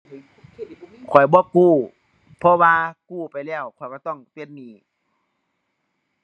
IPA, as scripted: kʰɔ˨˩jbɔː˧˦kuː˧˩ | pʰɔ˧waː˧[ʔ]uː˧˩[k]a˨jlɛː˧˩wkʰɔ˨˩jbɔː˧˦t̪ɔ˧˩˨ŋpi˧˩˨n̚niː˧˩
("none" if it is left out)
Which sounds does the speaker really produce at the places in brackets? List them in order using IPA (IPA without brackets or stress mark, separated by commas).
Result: k, p